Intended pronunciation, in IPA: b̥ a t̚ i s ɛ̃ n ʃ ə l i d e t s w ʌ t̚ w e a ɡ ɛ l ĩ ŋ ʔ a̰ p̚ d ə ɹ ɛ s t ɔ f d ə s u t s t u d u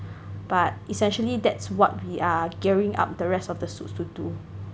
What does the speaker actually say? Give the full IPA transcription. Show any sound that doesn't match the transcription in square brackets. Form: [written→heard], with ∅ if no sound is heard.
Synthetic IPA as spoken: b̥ a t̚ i s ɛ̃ n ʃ ə l i d [e→ɛ] t s w [ʌ→ɔ] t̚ w [e→i] a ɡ ɛ [l→ɹ] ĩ ŋ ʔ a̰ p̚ d ə ɹ ɛ s t ɔ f d ə s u t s t u d u